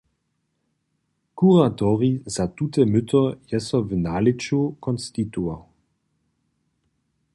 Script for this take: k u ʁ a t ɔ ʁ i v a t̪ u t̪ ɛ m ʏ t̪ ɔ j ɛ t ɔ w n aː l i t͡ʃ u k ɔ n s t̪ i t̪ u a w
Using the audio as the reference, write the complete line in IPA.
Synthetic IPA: k u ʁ a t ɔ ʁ i z a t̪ u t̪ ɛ m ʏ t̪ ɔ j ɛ s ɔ v n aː l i t͡ʃ u k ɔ n s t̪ i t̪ u a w

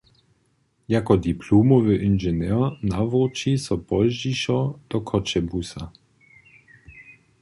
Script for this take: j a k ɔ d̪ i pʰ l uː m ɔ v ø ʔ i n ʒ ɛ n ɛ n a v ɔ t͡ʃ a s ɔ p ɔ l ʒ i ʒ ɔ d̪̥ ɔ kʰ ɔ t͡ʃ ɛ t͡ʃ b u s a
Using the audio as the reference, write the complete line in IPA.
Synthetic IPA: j a k ɔ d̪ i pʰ l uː m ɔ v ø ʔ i n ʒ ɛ n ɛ n a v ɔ t͡ʃ i s ɔ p ɔ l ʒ i ʃ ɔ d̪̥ ɔ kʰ ɔ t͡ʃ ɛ b u s a

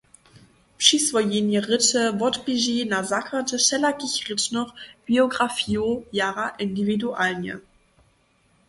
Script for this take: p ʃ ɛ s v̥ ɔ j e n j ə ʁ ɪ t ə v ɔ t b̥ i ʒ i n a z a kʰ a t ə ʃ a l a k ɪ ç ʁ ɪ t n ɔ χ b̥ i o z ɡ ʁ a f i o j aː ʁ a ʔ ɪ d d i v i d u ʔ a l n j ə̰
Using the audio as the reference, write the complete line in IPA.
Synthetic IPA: p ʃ i s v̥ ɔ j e n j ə ʁ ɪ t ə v ɔ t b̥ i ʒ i n a z a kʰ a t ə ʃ ɛ l a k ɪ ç ʁ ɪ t n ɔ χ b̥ i o ɡ ʁ a f i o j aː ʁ a ʔ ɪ n d i v i d u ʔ a l n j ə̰

